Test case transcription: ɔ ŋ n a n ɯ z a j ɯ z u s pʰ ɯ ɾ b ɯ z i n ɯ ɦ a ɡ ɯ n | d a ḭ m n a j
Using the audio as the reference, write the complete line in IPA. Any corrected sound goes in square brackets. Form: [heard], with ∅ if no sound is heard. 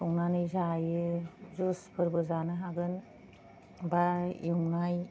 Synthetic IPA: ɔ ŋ n a n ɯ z a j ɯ z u s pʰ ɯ ɾ b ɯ z [a] n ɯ ɦ a ɡ ɯ n | [b] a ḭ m n a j